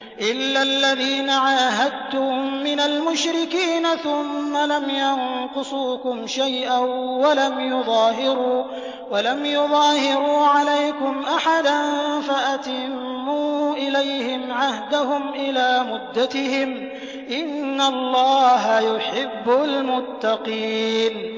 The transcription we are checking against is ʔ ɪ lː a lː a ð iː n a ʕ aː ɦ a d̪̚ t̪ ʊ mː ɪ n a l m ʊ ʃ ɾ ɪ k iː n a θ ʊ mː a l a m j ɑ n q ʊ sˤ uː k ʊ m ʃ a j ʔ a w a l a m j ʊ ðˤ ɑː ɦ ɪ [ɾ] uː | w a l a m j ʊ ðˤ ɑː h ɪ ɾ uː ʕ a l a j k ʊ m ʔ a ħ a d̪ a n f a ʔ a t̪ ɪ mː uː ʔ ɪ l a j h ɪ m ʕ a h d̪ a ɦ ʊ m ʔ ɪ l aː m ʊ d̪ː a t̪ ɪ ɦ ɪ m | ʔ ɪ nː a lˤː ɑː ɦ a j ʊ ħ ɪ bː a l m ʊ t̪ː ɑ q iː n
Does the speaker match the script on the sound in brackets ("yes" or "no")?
yes